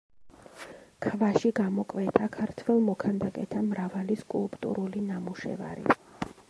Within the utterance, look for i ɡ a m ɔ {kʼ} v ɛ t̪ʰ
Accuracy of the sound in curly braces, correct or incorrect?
correct